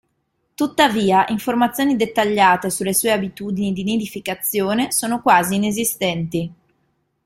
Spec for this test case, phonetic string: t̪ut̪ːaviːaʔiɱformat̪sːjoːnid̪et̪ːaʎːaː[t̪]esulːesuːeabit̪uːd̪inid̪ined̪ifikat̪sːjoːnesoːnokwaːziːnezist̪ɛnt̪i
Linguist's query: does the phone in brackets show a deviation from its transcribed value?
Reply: no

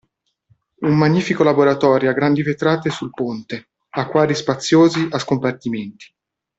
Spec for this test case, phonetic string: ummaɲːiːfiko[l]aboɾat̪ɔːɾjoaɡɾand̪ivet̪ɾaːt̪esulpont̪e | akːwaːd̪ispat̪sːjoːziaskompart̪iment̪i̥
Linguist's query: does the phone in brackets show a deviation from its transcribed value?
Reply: no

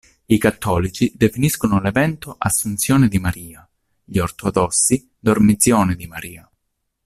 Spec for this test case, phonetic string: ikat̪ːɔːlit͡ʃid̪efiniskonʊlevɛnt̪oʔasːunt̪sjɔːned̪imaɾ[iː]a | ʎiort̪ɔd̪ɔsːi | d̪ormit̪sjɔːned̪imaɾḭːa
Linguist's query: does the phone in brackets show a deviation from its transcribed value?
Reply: no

